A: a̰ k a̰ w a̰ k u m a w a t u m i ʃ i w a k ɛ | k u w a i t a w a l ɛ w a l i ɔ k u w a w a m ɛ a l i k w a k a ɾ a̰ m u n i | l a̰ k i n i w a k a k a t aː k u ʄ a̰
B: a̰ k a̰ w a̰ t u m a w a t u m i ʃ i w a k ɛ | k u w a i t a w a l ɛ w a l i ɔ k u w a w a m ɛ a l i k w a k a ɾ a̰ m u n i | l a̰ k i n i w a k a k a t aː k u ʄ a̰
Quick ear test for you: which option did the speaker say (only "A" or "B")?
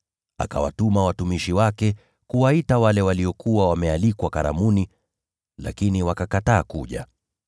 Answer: B